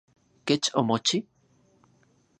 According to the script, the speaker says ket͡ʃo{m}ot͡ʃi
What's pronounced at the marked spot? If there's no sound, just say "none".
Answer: m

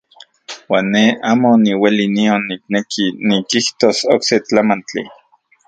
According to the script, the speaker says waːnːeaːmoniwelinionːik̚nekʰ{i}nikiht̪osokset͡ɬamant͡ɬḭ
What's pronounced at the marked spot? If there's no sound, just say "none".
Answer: i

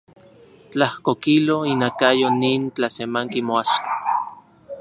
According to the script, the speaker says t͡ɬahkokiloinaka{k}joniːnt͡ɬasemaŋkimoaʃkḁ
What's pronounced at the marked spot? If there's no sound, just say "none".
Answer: none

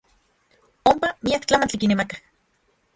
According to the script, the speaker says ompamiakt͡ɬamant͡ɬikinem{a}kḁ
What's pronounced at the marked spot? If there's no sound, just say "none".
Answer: a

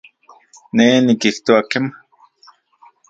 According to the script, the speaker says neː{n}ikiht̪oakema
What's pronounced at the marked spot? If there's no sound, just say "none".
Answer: n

